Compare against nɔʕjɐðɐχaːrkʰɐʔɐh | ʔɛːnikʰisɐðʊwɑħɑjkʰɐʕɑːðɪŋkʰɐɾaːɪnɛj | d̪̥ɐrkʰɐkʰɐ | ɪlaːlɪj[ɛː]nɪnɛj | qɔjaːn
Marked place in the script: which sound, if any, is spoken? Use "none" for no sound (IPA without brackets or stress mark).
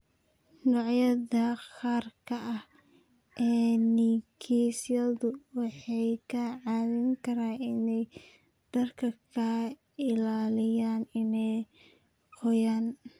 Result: aː